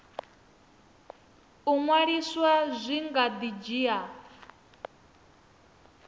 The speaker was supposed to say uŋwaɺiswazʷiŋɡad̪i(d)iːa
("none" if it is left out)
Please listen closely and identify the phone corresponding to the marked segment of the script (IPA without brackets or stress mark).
d͡ʒ